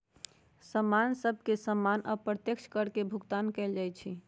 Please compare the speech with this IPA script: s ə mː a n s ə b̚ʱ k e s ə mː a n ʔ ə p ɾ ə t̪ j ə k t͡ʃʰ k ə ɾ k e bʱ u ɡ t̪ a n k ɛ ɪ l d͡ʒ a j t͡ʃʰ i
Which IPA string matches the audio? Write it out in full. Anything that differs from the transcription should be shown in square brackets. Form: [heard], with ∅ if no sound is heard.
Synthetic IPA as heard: s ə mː a n s ə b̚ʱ k e s ə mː a n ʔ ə p ɾ ə t̪ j ə k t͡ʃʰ k ə ɾ k e bʱ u ɡ t̪ a n k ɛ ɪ l d͡ʒ a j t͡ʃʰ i